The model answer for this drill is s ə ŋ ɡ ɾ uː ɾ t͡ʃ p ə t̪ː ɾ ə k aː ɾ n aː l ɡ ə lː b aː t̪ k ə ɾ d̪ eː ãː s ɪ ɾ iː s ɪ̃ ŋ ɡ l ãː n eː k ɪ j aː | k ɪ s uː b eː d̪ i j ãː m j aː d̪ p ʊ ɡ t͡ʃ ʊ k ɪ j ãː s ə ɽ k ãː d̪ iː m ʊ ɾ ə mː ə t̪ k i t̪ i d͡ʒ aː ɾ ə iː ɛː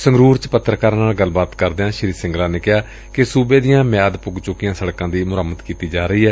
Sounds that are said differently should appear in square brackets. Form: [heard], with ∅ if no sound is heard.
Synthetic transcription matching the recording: s ə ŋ ɡ ɾ uː ɾ t͡ʃ p ə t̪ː ɾ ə k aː ɾ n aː l ɡ ə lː b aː t̪ k ə ɾ d̪ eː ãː [ʃ] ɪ ɾ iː s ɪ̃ ŋ ɡ l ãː n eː k ɪ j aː | k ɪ s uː b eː d̪ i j ãː m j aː d̪ p ʊ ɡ t͡ʃ ʊ k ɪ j ãː s ə ɽ k ãː d̪ iː m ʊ ɾ ə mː ə t̪ k [iː] t̪ [iː] d͡ʒ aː ɾ ə iː ɛː